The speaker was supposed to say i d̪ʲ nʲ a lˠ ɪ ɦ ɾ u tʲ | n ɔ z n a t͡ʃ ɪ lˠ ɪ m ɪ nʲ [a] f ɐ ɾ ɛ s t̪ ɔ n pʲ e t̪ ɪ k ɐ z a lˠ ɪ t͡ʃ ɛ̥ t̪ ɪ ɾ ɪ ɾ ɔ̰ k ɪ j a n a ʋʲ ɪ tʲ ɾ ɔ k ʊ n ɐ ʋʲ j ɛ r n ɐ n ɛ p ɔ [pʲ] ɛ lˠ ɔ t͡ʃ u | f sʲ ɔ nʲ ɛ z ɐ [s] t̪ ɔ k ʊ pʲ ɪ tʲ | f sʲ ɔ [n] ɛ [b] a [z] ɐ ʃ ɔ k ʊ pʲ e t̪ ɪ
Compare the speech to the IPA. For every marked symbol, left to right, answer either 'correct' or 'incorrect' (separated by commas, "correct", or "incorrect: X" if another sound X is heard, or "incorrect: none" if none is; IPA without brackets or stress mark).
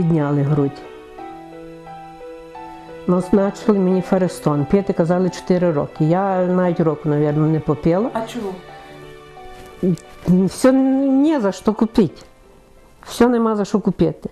incorrect: i, correct, incorrect: ʃ, correct, incorrect: m, correct